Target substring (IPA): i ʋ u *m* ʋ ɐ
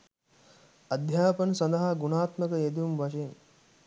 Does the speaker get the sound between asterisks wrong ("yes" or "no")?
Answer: no